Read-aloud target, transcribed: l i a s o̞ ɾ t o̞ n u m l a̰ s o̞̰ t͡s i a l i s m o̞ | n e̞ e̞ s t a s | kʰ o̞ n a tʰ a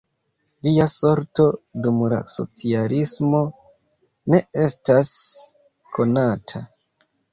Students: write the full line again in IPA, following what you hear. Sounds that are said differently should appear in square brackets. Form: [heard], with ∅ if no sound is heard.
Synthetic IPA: l i a s o̞ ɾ t o̞ [d] u m l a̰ s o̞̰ t͡s i a l i s m o̞ | n e̞ e̞ s t a s | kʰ o̞ n a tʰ a